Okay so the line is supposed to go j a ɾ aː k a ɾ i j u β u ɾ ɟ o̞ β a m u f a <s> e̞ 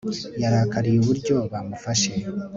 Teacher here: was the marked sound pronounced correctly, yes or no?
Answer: no